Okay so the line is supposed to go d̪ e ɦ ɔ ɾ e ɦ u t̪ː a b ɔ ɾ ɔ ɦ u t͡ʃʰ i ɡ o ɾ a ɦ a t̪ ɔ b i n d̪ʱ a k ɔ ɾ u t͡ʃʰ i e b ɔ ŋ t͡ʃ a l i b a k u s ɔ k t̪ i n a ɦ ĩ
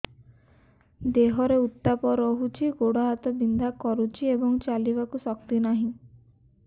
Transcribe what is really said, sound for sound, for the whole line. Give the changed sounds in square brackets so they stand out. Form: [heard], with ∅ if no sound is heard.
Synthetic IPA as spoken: d̪ e ɦ ɔ ɾ e [∅] u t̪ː a [p] ɔ ɾ ɔ ɦ u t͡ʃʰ i ɡ o [ɽ] a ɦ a t̪ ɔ b i n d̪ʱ a k ɔ ɾ u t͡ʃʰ i e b ɔ ŋ t͡ʃ a l i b a k u s ɔ k t̪ i n a ɦ ĩ